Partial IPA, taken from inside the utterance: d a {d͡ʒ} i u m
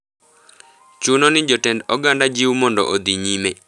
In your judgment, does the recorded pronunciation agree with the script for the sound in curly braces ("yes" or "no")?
yes